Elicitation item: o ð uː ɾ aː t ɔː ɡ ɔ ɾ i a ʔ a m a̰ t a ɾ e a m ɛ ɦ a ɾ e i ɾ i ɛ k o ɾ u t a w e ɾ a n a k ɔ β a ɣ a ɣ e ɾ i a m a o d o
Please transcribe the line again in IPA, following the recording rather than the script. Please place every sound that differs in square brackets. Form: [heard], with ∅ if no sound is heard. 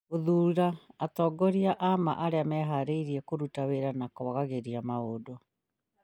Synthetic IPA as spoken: o ð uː ɾ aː t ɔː ɡ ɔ ɾ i a ʔ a m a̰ [ʔ] a ɾ e a m ɛ ɦ a ɾ e i ɾ i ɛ k o ɾ u t a w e ɾ a n a k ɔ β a ɣ a ɣ e ɾ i a m a o d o